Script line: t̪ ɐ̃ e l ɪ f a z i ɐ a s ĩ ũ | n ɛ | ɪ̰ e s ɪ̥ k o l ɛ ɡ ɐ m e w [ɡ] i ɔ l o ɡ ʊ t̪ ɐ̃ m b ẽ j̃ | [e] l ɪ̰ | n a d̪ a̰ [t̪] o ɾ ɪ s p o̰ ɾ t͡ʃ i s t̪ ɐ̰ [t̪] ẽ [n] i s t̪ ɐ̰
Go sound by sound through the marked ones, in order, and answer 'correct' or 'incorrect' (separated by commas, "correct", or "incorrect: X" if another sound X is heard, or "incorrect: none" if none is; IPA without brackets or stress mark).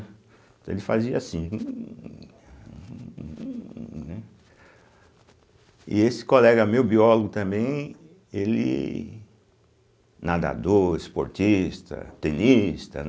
incorrect: b, correct, incorrect: d̪, correct, correct